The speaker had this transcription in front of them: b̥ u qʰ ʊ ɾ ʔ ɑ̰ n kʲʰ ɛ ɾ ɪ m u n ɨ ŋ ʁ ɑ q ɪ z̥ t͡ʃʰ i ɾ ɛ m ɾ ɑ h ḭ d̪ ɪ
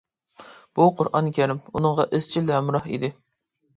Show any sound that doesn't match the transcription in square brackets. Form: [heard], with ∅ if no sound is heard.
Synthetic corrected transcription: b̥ u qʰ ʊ ɾ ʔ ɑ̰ n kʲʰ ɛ ɾ ɪ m u n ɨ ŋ ʁ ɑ [ʔ] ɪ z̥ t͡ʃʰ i [l] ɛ m ɾ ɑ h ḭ d̪ ɪ